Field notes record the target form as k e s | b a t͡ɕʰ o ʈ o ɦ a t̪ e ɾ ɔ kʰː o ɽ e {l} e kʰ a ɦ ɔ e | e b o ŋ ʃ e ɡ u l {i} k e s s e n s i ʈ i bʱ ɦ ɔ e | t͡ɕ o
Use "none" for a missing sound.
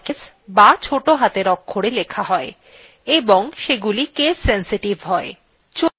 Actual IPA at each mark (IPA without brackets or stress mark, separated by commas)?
l, i